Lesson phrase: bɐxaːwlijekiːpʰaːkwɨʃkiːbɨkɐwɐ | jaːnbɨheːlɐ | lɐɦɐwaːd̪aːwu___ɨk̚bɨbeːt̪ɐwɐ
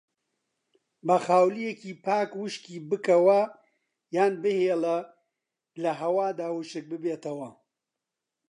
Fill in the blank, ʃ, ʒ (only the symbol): ʃ